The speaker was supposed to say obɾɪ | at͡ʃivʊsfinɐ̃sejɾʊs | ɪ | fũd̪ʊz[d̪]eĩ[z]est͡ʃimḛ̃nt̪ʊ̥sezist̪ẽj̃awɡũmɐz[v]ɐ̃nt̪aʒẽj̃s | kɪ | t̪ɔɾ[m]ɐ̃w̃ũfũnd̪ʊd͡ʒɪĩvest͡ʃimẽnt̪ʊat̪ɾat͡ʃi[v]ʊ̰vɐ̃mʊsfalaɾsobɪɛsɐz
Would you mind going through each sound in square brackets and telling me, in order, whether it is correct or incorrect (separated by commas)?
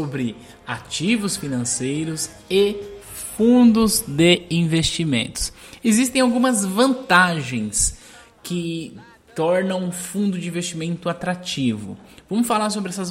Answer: correct, incorrect, correct, incorrect, correct